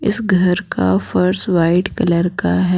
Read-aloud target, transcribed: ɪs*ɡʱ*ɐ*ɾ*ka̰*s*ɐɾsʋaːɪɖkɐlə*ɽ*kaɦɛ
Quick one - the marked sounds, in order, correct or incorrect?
correct, correct, incorrect: f, incorrect: ɾ

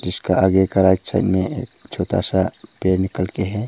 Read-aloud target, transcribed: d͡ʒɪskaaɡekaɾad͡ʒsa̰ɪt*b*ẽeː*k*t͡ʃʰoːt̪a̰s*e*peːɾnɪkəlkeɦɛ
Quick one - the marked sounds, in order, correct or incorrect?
incorrect: m, correct, incorrect: a

